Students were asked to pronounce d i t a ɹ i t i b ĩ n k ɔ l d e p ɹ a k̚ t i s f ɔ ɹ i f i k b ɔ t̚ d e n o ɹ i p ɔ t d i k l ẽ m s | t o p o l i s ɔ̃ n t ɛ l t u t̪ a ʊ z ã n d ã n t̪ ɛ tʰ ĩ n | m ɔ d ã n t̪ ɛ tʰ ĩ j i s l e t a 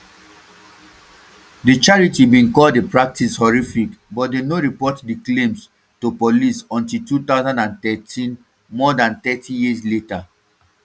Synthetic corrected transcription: d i t͡ʃ a ɹ i t i b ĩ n k ɔ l d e p ɹ a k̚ t i s h ɔ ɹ i f i k b ɔ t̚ d e n o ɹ i p ɔ t d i k l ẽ m s | t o p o l i s ɔ̃ n t i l t u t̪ a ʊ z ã n d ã n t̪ ɛ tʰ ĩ n | m ɔ d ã n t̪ ɛ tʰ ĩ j i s l e t a